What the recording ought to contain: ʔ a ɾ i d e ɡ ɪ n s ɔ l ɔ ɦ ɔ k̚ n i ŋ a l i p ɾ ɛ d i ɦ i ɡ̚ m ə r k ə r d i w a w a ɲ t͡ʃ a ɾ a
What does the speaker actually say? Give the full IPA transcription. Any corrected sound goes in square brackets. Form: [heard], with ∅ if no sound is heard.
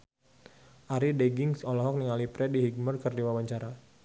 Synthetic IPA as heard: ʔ a ɾ i d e ɡ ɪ [ŋ] s ɔ l ɔ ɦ ɔ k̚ n i ŋ a l i p ɾ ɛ d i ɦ i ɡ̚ m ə r k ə r d i w a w a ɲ t͡ʃ a ɾ a

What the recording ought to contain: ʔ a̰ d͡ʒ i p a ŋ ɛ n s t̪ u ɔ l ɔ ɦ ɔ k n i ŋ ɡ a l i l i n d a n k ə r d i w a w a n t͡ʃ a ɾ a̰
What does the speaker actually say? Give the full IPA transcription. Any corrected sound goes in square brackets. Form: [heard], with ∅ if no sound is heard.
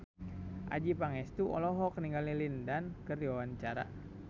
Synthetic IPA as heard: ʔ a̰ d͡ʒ i p a ŋ ɛ [∅] s t̪ u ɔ l ɔ ɦ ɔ k n i ŋ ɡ a l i l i n d a n k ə r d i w a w a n t͡ʃ a ɾ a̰

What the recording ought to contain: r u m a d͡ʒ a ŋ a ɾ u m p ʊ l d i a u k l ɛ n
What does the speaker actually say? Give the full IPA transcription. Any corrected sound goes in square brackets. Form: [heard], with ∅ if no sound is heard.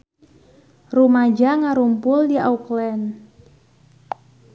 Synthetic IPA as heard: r u m a d͡ʒ a ŋ a ɾ u m p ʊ l d i a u k l ɛ n

